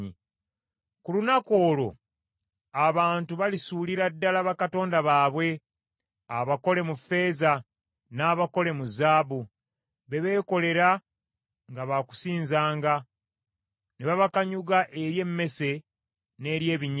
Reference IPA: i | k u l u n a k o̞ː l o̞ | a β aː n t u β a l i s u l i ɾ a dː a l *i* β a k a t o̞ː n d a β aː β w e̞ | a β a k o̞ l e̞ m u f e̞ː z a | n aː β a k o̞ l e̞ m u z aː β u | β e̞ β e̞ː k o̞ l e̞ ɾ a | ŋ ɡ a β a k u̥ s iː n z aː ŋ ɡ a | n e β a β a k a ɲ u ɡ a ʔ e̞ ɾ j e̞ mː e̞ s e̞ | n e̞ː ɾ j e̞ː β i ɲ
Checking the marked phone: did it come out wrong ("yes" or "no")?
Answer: yes